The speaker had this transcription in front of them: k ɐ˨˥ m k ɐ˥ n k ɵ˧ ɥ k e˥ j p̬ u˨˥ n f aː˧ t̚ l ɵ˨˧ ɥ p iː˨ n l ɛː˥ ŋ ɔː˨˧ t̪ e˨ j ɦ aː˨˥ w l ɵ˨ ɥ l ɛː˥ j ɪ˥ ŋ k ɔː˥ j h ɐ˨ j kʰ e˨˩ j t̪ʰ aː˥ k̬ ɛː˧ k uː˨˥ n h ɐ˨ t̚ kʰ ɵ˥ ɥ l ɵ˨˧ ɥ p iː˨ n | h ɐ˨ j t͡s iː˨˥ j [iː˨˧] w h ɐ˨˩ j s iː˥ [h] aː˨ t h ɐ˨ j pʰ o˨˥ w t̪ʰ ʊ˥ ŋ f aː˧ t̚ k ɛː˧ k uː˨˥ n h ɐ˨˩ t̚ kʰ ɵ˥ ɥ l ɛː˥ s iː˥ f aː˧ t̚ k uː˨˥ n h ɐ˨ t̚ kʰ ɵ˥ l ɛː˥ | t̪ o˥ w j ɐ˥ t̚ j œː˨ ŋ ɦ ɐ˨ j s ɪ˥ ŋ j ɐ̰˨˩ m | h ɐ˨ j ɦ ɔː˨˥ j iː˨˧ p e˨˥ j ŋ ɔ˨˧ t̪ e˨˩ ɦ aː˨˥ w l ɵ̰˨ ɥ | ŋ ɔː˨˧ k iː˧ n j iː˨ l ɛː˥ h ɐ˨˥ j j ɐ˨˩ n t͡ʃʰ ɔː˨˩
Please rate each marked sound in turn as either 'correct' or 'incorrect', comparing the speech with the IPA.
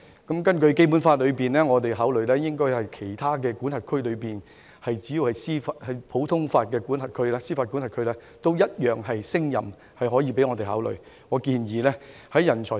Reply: incorrect, incorrect

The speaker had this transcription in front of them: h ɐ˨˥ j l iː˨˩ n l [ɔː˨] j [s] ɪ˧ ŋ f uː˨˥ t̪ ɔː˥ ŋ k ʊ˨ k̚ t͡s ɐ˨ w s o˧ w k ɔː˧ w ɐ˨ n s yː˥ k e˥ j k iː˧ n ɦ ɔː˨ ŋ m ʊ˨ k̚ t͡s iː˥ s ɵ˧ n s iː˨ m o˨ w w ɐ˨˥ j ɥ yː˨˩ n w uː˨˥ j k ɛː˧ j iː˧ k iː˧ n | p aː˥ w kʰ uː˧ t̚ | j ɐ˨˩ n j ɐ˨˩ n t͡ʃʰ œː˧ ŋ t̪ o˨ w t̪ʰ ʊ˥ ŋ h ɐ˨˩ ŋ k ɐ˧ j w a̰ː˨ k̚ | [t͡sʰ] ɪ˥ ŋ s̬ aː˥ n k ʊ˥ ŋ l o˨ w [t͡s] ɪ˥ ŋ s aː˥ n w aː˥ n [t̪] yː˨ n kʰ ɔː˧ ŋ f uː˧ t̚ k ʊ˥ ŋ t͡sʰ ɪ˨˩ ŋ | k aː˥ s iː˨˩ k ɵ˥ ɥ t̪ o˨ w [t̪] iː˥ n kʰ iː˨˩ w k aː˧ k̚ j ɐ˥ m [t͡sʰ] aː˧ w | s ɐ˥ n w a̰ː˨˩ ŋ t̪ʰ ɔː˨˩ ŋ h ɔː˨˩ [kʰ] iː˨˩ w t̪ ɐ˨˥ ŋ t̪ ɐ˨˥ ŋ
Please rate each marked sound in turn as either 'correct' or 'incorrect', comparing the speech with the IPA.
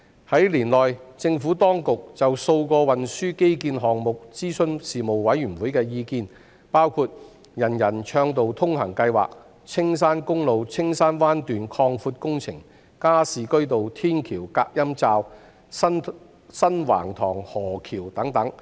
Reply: correct, incorrect, correct, incorrect, correct, incorrect, incorrect, correct

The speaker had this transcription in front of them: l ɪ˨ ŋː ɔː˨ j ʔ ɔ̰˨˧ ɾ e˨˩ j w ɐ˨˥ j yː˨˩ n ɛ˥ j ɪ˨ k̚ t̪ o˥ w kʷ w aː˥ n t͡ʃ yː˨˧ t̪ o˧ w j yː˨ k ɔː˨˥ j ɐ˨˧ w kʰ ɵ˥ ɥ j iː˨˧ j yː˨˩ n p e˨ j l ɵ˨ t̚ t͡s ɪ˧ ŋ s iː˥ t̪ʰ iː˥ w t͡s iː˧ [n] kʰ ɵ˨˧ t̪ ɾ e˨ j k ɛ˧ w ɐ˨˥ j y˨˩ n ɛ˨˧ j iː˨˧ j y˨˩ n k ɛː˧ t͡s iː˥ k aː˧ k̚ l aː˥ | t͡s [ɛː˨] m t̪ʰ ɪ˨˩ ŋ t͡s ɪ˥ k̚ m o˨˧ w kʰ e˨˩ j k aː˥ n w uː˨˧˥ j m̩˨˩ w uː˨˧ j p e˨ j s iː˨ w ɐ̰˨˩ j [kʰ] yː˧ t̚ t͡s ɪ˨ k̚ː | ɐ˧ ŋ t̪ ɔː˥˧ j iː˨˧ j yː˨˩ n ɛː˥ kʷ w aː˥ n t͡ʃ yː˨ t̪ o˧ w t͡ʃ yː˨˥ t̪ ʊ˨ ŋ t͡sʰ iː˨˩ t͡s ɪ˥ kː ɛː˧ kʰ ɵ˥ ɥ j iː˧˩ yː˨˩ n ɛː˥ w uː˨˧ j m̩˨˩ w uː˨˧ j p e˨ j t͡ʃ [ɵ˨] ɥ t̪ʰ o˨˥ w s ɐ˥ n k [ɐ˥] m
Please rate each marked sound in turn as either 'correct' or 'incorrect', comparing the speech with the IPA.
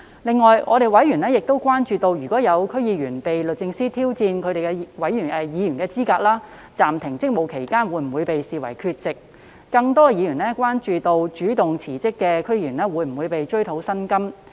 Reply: correct, incorrect, correct, incorrect, correct

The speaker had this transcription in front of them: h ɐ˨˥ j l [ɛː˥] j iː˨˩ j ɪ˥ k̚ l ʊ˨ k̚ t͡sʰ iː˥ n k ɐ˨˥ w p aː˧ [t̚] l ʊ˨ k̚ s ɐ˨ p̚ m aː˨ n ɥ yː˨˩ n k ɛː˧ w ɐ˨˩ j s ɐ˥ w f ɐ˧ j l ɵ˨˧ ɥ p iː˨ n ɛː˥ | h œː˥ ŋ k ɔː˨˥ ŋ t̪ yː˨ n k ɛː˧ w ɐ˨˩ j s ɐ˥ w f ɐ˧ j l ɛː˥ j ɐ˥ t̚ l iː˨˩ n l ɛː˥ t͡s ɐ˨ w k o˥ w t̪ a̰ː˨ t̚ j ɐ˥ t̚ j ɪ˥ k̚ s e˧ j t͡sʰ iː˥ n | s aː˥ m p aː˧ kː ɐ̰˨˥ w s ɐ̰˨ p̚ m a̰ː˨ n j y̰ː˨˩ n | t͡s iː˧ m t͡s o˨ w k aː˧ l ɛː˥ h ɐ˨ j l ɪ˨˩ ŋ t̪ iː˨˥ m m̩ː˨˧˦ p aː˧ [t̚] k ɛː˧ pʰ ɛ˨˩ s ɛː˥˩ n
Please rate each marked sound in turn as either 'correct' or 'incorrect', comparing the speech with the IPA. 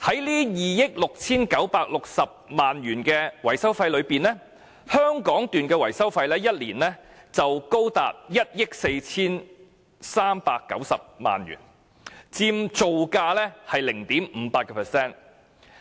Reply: incorrect, incorrect, correct

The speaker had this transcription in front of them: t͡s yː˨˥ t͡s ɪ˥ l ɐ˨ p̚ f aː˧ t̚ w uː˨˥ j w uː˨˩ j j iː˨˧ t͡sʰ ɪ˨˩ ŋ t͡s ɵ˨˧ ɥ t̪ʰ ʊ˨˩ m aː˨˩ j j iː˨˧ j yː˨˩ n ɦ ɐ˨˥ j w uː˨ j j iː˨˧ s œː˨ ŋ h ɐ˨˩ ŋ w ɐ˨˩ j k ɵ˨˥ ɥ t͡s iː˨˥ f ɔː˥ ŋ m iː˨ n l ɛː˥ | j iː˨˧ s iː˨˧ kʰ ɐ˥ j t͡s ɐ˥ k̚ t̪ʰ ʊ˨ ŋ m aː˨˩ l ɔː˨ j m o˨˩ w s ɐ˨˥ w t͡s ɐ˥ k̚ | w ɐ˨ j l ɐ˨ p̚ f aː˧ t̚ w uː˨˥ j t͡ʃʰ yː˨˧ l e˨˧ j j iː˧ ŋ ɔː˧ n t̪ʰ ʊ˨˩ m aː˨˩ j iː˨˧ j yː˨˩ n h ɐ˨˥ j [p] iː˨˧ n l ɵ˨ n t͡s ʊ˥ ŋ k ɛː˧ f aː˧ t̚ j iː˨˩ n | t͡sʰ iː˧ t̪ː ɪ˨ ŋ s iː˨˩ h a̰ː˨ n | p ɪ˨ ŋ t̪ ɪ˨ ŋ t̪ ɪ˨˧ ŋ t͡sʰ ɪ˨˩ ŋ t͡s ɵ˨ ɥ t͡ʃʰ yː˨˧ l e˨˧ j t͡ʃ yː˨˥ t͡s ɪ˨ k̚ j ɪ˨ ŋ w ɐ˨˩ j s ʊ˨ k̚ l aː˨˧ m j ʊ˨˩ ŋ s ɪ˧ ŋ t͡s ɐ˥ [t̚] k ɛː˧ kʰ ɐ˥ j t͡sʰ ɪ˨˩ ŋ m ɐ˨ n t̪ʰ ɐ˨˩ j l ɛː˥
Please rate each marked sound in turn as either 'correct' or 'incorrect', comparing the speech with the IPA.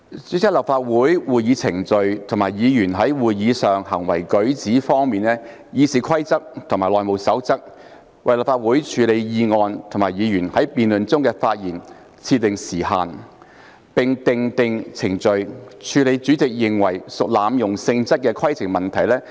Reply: correct, correct

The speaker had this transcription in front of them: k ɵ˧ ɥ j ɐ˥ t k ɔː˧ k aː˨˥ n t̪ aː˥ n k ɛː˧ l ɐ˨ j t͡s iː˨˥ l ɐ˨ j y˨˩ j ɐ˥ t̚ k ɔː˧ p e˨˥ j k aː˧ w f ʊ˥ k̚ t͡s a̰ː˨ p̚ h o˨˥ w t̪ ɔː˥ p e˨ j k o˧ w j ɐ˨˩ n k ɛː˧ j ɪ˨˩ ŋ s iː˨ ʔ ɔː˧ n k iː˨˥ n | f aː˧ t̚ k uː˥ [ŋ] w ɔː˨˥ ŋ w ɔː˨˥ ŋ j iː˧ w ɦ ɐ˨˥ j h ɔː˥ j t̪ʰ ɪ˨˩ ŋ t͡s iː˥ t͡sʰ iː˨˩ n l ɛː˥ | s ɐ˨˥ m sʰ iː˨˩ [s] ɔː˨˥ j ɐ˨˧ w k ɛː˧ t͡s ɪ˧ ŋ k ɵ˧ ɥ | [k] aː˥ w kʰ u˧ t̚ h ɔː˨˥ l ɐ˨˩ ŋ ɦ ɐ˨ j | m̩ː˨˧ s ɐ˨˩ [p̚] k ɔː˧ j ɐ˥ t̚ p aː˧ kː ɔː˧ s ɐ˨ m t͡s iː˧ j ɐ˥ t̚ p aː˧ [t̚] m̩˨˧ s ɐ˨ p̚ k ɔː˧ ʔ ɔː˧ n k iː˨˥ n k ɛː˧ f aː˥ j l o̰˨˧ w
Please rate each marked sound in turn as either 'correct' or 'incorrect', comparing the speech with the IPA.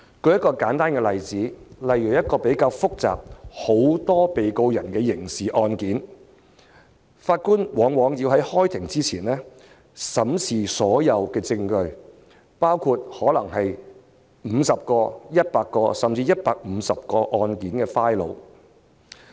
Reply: incorrect, correct, incorrect, correct, incorrect

